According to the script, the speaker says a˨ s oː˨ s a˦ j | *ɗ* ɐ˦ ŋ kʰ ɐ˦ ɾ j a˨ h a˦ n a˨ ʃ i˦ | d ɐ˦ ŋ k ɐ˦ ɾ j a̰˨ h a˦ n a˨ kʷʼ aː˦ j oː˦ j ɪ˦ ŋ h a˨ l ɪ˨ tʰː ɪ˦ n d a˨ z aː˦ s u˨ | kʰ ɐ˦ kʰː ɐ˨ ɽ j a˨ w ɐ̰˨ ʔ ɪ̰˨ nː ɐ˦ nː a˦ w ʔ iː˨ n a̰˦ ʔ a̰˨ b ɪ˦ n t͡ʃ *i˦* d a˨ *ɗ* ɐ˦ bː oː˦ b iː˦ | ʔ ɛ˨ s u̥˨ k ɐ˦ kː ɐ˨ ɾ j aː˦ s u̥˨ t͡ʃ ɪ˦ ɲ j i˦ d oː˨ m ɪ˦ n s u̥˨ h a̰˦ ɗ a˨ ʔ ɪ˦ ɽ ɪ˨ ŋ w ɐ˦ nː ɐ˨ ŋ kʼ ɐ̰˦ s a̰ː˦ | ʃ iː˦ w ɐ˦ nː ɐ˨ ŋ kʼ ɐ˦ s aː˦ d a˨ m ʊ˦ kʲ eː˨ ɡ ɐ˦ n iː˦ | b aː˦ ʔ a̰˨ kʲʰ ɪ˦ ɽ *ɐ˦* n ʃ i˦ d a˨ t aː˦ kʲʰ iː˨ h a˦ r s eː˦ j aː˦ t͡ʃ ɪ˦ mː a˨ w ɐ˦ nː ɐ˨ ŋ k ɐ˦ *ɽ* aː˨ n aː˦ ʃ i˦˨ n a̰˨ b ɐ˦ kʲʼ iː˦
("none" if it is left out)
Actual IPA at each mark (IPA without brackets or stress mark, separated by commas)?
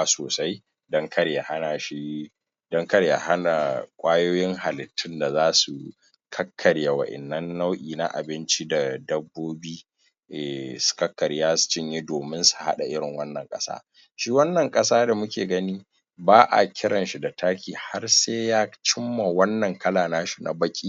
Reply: d, i˦, d, ɐ˨, l